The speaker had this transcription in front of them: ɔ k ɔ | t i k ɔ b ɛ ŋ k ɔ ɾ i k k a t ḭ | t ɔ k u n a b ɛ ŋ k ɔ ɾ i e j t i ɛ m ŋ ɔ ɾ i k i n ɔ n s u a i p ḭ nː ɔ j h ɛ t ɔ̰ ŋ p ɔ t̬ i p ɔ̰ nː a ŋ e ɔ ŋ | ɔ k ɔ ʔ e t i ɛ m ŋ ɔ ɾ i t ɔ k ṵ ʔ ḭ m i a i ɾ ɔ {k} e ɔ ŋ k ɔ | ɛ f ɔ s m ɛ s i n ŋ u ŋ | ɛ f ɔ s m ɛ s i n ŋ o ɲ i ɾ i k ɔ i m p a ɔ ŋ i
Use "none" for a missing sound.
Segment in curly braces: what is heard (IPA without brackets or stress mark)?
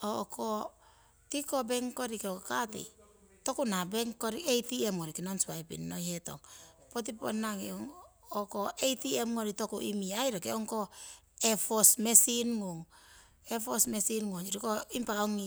k